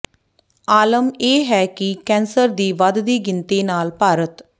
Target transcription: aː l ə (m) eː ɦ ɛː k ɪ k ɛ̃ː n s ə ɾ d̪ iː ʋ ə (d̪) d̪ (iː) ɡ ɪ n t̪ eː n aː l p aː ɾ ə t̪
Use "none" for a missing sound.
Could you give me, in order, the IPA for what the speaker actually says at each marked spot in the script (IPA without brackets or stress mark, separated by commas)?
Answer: m, d̪, iː